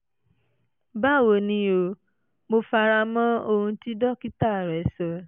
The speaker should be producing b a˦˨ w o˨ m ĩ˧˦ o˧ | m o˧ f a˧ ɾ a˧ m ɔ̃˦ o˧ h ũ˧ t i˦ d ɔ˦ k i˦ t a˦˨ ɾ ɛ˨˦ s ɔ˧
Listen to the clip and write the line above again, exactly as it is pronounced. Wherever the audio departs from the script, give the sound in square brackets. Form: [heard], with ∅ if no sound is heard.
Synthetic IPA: b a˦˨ w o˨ [n] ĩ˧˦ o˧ | m o˧ f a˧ ɾ a˧ m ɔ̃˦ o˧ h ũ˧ t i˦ d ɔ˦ k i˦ t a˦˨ ɾ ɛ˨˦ s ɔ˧